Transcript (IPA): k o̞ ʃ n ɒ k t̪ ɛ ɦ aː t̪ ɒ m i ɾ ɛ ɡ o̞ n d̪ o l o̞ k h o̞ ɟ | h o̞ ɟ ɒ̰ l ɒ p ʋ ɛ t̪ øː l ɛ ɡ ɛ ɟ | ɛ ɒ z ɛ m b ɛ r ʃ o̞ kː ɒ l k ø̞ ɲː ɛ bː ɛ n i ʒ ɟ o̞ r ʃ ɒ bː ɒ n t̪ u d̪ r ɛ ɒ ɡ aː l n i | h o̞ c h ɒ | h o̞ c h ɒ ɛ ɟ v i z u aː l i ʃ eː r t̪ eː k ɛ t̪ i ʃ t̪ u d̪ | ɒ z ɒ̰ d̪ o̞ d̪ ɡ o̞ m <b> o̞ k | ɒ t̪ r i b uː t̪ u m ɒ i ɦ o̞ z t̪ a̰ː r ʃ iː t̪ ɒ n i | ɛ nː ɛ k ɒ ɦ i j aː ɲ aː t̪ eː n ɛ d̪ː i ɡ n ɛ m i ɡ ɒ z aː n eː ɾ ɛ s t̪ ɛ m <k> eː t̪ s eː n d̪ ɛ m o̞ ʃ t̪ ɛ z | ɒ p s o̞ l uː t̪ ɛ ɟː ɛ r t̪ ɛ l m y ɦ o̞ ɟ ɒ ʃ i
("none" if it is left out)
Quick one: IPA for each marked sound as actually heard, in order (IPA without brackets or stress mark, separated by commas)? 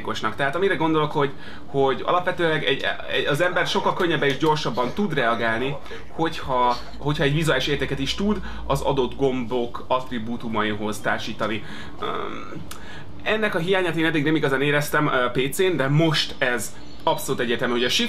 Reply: b, p